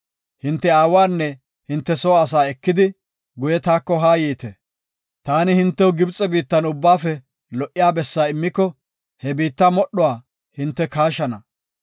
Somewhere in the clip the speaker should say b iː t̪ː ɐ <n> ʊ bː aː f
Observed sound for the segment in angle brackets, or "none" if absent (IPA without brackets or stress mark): n